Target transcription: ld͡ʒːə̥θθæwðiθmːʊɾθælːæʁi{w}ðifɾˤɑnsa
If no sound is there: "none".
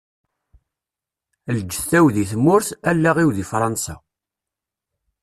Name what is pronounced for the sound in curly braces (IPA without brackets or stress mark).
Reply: w